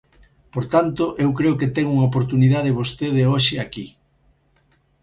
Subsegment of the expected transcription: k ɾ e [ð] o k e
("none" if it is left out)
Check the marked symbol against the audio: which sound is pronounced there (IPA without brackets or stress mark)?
none